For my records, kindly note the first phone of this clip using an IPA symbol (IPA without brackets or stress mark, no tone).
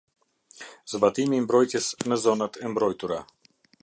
z